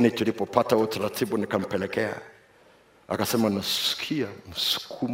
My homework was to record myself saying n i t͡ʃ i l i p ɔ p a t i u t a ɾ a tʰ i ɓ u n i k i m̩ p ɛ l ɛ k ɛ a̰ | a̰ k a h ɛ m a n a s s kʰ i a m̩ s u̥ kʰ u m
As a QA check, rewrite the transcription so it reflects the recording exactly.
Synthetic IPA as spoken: n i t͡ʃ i l i p ɔ p a t a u t a ɾ a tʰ i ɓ u n i k a m̩ p ɛ l ɛ k ɛ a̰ | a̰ k a s ɛ m a n a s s kʰ i a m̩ s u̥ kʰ u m